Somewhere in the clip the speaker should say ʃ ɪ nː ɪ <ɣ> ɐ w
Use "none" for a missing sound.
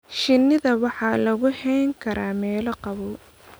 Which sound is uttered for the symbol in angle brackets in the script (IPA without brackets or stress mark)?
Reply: ð